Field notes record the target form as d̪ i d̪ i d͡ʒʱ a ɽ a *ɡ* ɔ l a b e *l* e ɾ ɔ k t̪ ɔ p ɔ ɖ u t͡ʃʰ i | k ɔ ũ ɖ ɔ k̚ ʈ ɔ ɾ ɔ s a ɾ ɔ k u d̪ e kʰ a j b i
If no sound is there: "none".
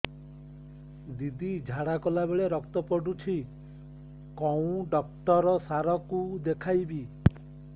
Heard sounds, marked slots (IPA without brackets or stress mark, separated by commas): k, ɭ